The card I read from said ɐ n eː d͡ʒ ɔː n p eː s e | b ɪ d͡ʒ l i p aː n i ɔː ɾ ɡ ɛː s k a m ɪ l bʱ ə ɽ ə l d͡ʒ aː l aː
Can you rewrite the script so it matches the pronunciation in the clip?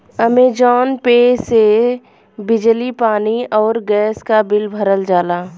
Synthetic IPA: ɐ m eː d͡ʒ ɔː n p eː s e | b ɪ d͡ʒ l i p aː n i ɔː ɾ ɡ ɛː s k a b ɪ l bʱ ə ɾ ə l d͡ʒ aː l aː